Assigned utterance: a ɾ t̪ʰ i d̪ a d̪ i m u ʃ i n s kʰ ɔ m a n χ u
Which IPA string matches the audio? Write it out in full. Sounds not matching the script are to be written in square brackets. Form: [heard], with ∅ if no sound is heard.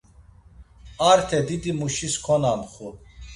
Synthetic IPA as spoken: a ɾ t̪ʰ [ɛ] d̪ [i] d̪ i m u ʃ i [∅] s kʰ ɔ [n] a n χ u